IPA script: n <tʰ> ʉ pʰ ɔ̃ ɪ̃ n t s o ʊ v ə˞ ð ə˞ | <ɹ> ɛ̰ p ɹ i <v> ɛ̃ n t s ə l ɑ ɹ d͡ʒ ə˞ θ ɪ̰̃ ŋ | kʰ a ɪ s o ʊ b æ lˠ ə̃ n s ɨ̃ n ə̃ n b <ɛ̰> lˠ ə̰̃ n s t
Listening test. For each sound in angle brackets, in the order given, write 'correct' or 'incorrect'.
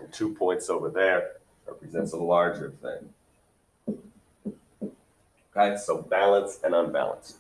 correct, correct, incorrect, incorrect

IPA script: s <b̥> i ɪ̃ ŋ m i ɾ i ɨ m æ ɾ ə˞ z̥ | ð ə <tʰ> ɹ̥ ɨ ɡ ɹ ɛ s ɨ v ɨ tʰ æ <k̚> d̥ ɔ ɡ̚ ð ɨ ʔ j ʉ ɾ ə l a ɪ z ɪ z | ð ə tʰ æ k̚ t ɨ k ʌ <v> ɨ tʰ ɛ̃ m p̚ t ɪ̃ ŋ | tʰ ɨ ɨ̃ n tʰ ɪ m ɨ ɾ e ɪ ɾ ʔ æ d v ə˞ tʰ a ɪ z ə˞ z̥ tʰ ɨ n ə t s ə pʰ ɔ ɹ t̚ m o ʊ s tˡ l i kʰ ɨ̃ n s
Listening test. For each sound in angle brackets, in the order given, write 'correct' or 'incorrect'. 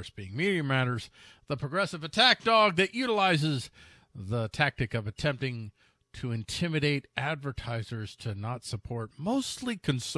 correct, incorrect, correct, correct

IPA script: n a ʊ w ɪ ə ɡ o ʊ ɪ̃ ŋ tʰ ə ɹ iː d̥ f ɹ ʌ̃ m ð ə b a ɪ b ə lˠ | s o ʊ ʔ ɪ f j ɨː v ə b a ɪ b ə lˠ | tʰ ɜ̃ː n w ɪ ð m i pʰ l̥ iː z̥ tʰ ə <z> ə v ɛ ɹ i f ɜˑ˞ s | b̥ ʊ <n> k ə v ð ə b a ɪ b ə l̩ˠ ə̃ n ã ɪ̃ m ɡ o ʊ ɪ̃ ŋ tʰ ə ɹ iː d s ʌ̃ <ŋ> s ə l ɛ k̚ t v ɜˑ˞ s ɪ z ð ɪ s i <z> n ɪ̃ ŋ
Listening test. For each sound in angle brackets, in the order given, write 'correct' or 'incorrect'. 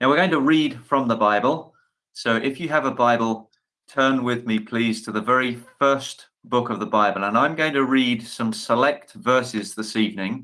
incorrect, incorrect, incorrect, incorrect

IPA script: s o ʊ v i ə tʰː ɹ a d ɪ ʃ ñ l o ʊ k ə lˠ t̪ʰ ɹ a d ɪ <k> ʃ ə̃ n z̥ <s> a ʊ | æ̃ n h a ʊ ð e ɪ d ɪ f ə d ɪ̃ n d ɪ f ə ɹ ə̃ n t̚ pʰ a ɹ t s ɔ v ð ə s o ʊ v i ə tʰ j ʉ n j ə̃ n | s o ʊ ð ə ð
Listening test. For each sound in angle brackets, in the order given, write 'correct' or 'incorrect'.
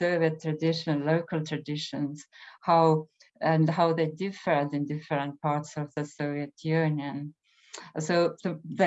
incorrect, incorrect

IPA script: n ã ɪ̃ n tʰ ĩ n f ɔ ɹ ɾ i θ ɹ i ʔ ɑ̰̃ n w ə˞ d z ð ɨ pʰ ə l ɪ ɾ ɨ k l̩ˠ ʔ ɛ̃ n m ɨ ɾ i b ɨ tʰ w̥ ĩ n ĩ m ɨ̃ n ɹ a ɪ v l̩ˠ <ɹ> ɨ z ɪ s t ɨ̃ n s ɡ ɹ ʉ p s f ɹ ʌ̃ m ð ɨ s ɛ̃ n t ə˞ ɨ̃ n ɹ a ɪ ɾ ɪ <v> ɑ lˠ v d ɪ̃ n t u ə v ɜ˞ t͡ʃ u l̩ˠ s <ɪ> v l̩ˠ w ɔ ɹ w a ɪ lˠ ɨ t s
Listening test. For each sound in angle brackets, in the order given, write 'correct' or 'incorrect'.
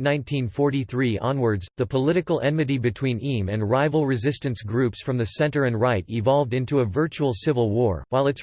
correct, correct, correct

